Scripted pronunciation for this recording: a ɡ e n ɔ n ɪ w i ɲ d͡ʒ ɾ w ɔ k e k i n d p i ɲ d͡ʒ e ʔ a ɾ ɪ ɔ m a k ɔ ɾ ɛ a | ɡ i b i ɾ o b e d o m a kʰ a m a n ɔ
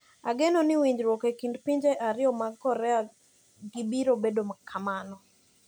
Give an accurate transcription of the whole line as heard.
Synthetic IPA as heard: a ɡ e n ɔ n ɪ w i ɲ d͡ʒ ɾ w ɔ k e k i n d p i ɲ d͡ʒ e ʔ a ɾ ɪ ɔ m a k ɔ ɾ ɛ a | ɡ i b i ɾ o b e d o m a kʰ a m a n ɔ